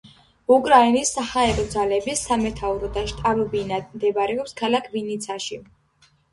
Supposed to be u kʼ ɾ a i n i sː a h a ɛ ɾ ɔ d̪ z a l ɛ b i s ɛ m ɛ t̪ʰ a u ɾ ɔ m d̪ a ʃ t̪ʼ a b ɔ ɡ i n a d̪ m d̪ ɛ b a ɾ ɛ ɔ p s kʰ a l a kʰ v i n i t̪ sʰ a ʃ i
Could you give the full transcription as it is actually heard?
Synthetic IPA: u kʼ ɾ a i n i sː a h a ɛ ɾ ɔ d̪ z a l ɛ b i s a m ɛ t̪ʰ a u ɾ ɔ d̪ a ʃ t̪ʼ a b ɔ b i n a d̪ m d̪ ɛ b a ɾ ɛ ɔ p s kʰ a l a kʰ v i n i t̪ sʰ a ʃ i